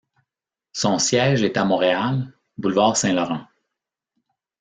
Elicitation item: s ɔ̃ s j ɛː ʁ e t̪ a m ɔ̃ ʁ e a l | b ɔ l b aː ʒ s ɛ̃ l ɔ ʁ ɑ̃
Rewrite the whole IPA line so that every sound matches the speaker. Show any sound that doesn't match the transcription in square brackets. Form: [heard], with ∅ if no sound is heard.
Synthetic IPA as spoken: s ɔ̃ s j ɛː [ʒ] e t̪ a m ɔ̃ ʁ e a l | b [u] l [v] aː [ʁ] s ɛ̃ l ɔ ʁ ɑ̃